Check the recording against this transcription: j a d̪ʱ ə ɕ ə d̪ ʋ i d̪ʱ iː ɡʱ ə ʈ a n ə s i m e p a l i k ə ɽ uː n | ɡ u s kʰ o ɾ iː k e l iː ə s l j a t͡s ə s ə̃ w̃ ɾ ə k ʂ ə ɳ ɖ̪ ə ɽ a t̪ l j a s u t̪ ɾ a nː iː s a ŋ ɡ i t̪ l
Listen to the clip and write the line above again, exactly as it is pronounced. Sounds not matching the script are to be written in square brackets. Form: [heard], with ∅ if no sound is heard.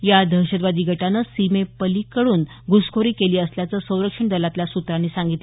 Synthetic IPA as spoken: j a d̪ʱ ə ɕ ə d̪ ʋ [a] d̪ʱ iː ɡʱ ə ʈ a n ə s i m e p [ə] l i k ə ɽ uː n | ɡ u s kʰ o ɾ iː k e l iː ə s l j a t͡s ə s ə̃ w̃ ɾ ə k ʂ ə ɳ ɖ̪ ə [l] a t̪ l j a s u t̪ ɾ a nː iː s a ŋ ɡ i t̪ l